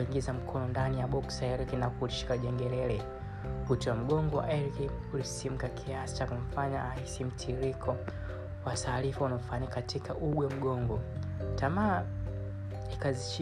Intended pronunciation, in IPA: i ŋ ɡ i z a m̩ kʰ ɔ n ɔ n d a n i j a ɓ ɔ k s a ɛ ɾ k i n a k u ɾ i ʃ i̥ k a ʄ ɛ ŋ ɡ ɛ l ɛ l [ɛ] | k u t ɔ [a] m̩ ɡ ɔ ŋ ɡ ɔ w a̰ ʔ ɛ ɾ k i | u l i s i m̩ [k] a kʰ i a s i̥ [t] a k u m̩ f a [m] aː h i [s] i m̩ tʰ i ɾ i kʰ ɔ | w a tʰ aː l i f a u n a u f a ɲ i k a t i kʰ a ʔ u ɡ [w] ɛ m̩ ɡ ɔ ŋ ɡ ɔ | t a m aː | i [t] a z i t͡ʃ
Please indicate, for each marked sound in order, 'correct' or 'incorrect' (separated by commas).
correct, correct, correct, incorrect, incorrect, correct, correct, incorrect